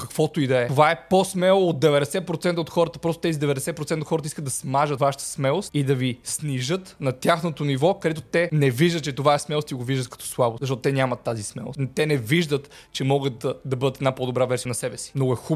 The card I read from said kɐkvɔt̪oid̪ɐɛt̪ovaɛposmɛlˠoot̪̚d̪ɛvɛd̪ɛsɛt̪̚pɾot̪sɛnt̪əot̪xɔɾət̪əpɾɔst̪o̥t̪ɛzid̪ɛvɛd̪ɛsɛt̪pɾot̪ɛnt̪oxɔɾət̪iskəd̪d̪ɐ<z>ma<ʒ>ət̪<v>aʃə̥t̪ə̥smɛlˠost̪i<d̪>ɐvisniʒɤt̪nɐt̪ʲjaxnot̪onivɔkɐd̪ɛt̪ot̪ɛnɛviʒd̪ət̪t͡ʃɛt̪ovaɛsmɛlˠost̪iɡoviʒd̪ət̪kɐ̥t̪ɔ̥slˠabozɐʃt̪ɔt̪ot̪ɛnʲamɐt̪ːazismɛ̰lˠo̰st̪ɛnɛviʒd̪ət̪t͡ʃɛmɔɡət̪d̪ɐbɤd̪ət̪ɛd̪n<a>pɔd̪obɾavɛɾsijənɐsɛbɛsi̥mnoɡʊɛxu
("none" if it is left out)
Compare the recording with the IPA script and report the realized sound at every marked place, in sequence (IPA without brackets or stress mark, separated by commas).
s, ʒ, v, d̪, a